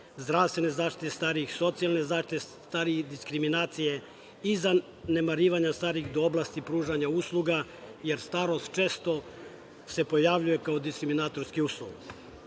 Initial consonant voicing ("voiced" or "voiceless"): voiced